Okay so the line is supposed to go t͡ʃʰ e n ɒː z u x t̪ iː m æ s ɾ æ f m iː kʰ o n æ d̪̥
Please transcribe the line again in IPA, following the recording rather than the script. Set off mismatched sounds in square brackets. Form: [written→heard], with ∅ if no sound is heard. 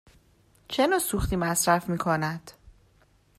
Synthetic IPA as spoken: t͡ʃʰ e n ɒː [z→s] u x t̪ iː m æ s ɾ æ f m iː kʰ o n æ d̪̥